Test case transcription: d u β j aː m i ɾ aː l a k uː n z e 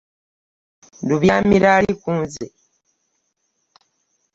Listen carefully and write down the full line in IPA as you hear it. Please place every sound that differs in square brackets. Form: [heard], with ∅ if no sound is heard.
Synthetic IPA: d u β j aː m i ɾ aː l [i] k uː n z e